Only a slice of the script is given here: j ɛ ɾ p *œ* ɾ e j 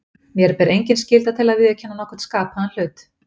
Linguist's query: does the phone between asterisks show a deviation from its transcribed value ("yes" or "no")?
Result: yes